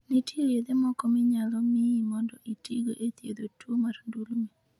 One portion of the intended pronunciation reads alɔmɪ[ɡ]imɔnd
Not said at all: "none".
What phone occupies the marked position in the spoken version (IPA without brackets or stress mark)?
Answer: none